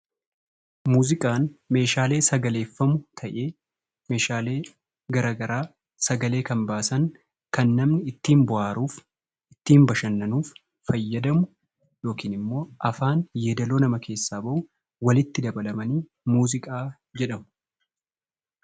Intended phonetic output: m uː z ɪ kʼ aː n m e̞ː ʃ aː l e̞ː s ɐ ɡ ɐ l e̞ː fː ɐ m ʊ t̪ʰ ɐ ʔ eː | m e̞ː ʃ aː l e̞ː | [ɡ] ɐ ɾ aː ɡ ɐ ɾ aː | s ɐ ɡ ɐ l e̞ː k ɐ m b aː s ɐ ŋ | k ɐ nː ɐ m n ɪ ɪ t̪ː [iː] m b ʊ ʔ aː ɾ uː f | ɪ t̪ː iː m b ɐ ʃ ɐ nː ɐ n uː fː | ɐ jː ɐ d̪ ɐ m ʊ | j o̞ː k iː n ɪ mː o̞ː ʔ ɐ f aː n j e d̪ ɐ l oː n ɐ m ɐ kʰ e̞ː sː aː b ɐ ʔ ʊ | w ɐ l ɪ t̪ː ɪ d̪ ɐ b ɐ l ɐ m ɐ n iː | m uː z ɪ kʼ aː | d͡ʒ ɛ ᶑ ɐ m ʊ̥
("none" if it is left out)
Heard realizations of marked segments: ɡ, iː

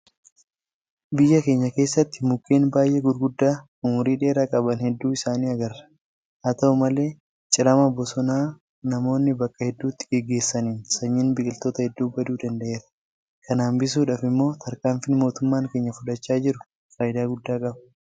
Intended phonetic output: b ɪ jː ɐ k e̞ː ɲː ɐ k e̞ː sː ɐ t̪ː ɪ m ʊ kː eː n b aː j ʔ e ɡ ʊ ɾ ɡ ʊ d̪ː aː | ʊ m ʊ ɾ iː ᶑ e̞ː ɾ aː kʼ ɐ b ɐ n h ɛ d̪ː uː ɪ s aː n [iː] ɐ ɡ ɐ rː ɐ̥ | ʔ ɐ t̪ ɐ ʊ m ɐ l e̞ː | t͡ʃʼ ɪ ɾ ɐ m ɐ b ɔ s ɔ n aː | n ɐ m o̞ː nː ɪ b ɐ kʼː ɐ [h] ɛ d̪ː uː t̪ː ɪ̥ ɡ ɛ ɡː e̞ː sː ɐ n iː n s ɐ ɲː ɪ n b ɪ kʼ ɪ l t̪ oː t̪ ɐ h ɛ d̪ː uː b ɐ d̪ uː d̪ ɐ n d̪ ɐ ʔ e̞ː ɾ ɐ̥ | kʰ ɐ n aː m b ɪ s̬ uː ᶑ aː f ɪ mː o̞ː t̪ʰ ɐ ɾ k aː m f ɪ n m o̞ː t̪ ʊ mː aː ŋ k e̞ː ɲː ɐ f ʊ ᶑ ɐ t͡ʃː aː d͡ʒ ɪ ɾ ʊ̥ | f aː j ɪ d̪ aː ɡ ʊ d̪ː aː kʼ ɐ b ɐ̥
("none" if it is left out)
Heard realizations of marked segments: iː, h

